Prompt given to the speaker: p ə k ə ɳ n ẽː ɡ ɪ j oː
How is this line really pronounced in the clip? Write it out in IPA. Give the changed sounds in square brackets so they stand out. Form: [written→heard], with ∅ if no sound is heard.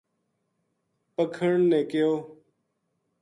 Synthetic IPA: p ə [k→kʰ] ə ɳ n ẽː [ɡ→k] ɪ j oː